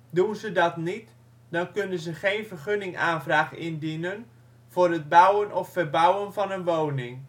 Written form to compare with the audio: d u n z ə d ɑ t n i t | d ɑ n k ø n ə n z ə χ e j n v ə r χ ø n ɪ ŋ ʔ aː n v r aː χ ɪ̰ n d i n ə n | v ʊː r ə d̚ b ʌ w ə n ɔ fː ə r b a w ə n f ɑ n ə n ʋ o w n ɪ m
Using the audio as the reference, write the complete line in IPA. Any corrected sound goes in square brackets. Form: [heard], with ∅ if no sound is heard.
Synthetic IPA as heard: d u n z ə d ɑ t n i t | d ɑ n k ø n ə n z ə χ e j n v ə r χ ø n ɪ ŋ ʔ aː n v r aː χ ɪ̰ n d i n ə n | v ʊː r ə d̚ b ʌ w ə n ɔ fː ə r b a w ə n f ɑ n ə n ʋ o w n ɪ [ŋ]